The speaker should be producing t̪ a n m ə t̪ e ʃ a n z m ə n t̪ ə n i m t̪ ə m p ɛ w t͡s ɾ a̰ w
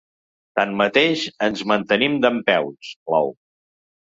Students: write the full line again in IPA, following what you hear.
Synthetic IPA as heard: t̪ a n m ə t̪ e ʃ ə n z m ə n t̪ ə n i m d̪ ə m p ɛ w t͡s l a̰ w